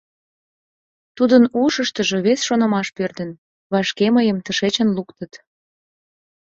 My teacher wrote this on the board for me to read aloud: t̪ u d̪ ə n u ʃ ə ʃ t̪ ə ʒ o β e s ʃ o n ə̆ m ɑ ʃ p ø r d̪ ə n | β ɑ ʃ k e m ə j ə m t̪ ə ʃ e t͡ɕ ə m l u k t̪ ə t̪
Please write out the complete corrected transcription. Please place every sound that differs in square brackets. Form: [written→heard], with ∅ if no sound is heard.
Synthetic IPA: t̪ u d̪ ə n u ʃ ə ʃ t̪ ə ʒ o β e s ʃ o n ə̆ m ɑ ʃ p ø r d̪ ə n | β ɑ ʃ k e m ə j ə m t̪ ə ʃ e t͡ɕ ə [m→n] l u k t̪ ə t̪